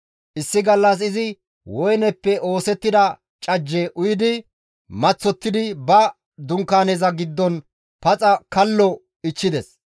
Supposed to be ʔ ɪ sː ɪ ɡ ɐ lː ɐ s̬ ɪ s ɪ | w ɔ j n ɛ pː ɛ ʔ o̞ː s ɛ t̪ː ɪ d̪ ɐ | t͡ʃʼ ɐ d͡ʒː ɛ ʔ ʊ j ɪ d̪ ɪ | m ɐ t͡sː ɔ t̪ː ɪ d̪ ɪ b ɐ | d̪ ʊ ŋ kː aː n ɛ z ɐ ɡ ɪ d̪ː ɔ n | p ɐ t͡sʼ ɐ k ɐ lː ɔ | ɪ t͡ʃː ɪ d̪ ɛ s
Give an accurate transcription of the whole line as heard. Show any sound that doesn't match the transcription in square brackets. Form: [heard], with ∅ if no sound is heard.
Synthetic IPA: ʔ ɪ sː ɪ ɡ ɐ lː ɐ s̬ ɪ [z] ɪ | w ɔ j n ɛ pː ɛ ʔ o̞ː s ɛ t̪ː ɪ d̪ ɐ | t͡ʃʼ ɐ d͡ʒː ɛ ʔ ʊ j ɪ d̪ ɪ | m ɐ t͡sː ɔ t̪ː ɪ d̪ ɪ b ɐ | d̪ ʊ ŋ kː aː n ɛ z ɐ ɡ ɪ d̪ː ɔ n | p ɐ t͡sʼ ɐ k ɐ lː ɔ | ɪ t͡ʃː ɪ d̪ ɛ s